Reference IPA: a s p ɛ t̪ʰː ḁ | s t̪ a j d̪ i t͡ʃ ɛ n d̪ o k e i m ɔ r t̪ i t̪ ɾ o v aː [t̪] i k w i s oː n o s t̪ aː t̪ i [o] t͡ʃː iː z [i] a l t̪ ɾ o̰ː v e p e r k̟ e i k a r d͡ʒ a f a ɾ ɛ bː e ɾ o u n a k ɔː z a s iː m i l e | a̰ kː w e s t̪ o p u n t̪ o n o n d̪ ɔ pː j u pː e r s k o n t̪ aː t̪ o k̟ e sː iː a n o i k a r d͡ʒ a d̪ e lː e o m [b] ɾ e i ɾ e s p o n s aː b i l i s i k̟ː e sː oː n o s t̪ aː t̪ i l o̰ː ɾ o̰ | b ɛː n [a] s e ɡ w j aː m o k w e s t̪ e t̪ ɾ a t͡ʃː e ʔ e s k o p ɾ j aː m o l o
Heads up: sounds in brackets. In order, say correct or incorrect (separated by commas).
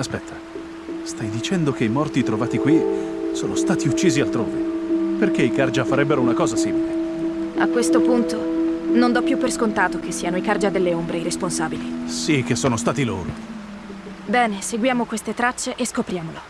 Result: correct, incorrect, correct, correct, incorrect